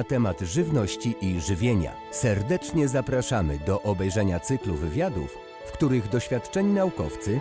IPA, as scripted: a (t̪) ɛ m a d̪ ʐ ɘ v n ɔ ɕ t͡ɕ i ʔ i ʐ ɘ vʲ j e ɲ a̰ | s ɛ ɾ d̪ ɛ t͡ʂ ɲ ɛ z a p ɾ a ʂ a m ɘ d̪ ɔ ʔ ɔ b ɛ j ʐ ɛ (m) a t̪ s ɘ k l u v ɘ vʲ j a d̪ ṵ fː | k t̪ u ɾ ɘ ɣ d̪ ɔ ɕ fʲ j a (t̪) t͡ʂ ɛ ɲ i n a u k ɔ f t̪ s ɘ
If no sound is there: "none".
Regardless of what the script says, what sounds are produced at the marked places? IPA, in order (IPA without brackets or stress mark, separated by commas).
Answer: t̪, ɲ, t̪